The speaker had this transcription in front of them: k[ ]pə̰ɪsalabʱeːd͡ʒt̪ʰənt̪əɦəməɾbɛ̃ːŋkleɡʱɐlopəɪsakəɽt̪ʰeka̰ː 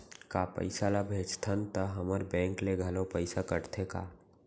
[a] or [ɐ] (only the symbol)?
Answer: a